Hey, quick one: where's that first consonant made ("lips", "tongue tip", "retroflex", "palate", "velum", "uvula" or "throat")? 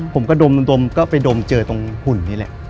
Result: lips